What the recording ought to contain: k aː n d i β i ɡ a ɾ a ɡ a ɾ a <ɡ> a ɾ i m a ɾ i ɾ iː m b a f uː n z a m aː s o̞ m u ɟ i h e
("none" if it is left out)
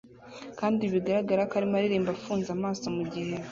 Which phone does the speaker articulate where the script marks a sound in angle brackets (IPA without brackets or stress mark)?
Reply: k